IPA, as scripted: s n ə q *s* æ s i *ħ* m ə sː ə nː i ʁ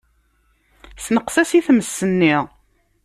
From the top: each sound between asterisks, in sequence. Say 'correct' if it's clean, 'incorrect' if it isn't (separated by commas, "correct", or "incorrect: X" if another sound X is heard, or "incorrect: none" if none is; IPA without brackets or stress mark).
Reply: correct, incorrect: θ